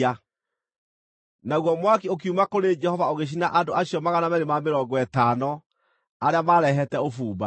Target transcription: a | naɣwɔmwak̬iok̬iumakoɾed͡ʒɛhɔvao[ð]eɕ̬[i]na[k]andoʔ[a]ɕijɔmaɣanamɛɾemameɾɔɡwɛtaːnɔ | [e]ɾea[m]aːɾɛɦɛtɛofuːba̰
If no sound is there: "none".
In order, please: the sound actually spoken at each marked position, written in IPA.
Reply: ɣ, i, ʔ, a, a, m

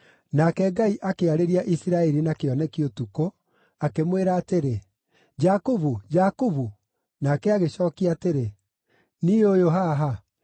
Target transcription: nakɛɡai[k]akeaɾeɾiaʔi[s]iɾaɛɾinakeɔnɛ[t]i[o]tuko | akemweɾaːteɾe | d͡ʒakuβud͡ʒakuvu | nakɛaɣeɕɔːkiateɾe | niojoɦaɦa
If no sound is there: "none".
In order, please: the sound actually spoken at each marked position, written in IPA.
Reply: ʔ, s, k, o

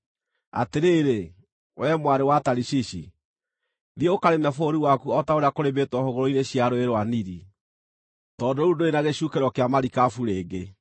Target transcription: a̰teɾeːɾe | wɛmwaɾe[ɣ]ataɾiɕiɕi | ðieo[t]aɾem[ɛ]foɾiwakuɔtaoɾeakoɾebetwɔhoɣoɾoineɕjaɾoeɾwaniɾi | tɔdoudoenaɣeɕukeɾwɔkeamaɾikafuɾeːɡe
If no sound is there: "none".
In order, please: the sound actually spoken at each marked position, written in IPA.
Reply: w, k, ɛ

